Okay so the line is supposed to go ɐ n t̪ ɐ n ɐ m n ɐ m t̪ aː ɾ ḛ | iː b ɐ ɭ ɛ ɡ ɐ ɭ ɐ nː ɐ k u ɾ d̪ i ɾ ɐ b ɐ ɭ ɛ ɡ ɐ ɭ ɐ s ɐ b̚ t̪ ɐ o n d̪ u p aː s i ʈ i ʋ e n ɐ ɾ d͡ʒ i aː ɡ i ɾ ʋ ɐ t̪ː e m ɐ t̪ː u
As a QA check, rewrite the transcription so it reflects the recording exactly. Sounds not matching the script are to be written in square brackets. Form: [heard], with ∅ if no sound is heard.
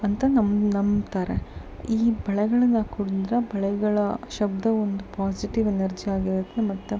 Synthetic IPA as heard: ɐ n t̪ ɐ n ɐ m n ɐ m t̪ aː ɾ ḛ | iː b ɐ ɭ ɛ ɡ ɐ ɭ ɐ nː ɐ k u [ɽ] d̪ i ɾ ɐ b ɐ ɭ ɛ ɡ ɐ ɭ ɐ [ʃ] ɐ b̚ [d̪] ɐ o n d̪ u p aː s i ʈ i ʋ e n ɐ ɾ d͡ʒ i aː ɡ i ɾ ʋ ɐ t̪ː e m ɐ t̪ː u

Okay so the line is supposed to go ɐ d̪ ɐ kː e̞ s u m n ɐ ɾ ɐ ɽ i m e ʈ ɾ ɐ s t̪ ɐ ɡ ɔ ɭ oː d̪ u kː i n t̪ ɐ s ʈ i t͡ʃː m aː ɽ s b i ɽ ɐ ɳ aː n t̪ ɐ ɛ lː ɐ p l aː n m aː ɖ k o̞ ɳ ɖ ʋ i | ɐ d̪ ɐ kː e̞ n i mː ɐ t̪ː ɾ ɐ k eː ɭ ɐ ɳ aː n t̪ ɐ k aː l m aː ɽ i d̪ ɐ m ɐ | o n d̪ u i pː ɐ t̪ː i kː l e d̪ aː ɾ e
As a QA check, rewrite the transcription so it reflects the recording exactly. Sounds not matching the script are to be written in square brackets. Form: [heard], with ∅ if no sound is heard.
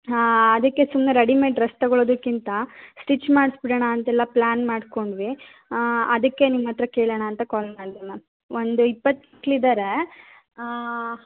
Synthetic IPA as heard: ɐ d̪ ɐ kː e̞ s u m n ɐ ɾ ɐ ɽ i m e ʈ ɾ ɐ s t̪ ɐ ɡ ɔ ɭ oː d̪ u kː i n t̪ ɐ s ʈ i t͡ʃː m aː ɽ s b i ɽ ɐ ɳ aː n t̪ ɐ ɛ lː ɐ p l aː n m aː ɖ k o̞ ɳ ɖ ʋ i | ɐ d̪ ɐ kː e̞ n i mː ɐ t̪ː ɾ ɐ k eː ɭ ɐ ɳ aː n t̪ ɐ k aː l m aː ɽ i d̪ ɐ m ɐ | o n d̪ u i pː ɐ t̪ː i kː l [i] d̪ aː ɾ e

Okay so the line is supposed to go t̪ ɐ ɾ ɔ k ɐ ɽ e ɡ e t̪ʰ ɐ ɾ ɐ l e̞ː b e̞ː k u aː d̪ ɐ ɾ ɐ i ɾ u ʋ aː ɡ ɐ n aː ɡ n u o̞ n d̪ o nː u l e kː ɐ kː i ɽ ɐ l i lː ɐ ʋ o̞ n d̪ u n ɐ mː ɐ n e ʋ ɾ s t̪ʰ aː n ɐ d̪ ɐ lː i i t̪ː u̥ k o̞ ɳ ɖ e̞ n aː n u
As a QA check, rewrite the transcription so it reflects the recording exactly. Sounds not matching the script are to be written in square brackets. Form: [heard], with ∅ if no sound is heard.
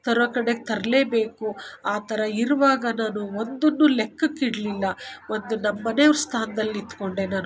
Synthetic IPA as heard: t̪ ɐ ɾ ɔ k ɐ ɽ e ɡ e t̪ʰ ɐ ɾ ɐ l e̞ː b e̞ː k u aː [t̪] ɐ ɾ ɐ i ɾ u ʋ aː ɡ ɐ n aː [∅] n u o̞ n d̪ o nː u l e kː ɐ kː i ɽ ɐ l i lː ɐ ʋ o̞ n d̪ u n ɐ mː ɐ n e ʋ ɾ s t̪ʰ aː n ɐ d̪ ɐ lː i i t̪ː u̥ k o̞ ɳ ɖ e̞ n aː n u

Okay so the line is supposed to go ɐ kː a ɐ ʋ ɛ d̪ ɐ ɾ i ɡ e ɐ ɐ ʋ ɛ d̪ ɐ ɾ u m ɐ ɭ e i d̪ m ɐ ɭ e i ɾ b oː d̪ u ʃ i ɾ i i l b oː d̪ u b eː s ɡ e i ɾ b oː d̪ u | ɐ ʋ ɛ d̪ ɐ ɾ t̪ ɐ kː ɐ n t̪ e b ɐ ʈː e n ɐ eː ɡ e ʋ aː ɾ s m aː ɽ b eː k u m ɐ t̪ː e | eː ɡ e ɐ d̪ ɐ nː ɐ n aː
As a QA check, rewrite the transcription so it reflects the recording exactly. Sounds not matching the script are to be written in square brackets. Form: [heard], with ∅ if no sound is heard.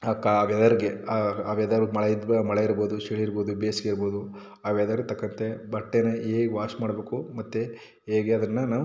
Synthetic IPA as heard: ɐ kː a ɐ ʋ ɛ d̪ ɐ ɾ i ɡ e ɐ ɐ ʋ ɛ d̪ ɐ ɾ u m ɐ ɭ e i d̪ m ɐ ɭ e i ɾ b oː d̪ u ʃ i [ɭ] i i [ɾ] b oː d̪ u b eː s ɡ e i ɾ b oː d̪ u | ɐ ʋ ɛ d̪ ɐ ɾ t̪ ɐ kː ɐ n t̪ e b ɐ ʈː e n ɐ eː ɡ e ʋ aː ɾ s m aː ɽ b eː k u m ɐ t̪ː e | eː ɡ e ɐ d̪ ɐ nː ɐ n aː

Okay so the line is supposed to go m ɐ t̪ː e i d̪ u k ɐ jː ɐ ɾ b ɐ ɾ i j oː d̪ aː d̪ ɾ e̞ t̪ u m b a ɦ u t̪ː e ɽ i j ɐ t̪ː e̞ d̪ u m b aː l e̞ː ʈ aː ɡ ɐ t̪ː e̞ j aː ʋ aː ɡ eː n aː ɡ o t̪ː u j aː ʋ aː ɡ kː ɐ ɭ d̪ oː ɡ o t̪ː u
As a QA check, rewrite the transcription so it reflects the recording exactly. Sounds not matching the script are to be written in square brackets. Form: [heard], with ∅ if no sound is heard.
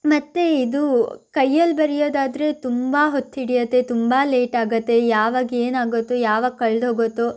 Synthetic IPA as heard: m ɐ t̪ː e i d̪ u k ɐ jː ɐ [l] b ɐ ɾ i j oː d̪ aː d̪ ɾ e̞ t̪ u m b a ɦ [o] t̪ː [i] ɽ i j ɐ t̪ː e̞ [t̪] u m b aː l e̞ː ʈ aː ɡ ɐ t̪ː e̞ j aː ʋ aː ɡ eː n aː ɡ o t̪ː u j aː ʋ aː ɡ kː ɐ ɭ d̪ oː ɡ o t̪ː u

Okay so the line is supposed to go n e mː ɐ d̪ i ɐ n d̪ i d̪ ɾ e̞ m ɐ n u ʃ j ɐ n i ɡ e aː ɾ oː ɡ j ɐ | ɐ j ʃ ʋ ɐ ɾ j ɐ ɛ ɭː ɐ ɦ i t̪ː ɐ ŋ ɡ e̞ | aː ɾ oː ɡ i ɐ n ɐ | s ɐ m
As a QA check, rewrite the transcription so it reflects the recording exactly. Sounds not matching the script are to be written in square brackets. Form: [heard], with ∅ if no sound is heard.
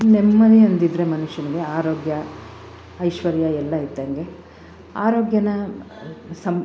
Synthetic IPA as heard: n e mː ɐ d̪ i ɐ n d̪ i d̪ ɾ e̞ m ɐ n u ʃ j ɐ n i ɡ e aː ɾ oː ɡ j ɐ | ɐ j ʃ ʋ ɐ ɾ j ɐ ɛ [lː] ɐ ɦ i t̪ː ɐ ŋ ɡ e̞ | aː ɾ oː ɡ [j] ɐ n ɐ | s ɐ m

